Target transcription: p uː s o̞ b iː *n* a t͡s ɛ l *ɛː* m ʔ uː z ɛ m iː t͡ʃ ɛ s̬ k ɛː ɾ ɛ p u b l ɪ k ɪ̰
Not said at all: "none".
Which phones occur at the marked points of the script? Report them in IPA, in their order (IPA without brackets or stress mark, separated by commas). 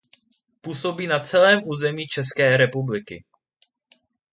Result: n, ɛː